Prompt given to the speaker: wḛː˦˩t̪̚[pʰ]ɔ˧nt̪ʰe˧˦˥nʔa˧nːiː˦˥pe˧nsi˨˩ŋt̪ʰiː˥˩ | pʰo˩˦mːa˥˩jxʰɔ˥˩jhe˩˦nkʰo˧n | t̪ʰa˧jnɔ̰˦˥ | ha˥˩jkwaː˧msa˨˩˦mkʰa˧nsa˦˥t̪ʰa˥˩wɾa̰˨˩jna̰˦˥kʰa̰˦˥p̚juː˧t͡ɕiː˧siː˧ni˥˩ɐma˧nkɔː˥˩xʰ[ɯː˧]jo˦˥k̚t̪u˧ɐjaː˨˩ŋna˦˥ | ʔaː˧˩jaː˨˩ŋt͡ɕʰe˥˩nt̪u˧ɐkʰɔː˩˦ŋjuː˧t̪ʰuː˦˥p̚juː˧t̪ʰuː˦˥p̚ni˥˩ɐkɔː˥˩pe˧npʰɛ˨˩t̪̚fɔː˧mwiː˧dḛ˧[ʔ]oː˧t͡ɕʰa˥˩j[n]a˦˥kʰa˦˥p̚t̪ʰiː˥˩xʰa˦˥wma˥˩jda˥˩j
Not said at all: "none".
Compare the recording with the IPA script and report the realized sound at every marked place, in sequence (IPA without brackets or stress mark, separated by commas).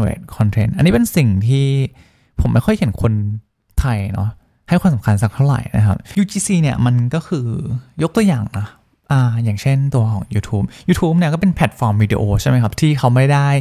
kʰ, ɯː˧, ʔ, m